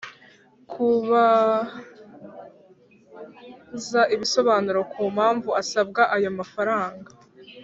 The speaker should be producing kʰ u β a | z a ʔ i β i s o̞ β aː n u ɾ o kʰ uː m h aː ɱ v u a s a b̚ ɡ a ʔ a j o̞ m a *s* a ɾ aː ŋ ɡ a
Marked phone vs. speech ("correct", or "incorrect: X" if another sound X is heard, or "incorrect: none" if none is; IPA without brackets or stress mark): incorrect: f